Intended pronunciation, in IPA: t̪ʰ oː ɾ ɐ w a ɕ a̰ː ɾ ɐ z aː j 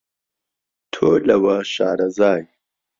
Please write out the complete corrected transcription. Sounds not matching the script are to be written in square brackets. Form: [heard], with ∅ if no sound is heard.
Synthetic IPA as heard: t̪ʰ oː [l] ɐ w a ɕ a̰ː ɾ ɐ z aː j